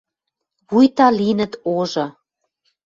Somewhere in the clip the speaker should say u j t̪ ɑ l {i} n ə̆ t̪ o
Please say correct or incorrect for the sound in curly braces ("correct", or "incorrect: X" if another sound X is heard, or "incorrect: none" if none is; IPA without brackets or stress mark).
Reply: correct